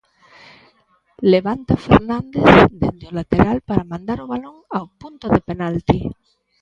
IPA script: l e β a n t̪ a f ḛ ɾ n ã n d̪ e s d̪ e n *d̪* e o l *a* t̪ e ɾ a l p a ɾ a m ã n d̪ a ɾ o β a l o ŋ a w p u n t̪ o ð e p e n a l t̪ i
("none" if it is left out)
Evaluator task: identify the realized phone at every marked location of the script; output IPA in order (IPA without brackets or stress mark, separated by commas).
d̪, a